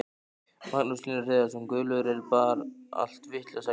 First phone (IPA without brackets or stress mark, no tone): m